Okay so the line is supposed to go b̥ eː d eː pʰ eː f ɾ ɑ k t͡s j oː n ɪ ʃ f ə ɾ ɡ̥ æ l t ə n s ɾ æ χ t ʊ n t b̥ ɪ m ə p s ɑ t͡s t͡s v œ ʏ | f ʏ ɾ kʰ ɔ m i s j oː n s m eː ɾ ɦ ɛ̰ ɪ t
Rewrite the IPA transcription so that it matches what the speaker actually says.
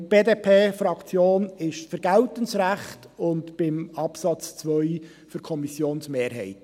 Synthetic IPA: b̥ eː d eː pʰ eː f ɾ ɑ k t͡s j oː n ɪ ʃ f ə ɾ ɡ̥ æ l t ə n s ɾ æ χ t ʊ n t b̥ ɪ m ɑ p s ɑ t͡s t͡s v œ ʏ | f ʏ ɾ kʰ ɔ m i s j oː n s m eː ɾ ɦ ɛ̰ ɪ t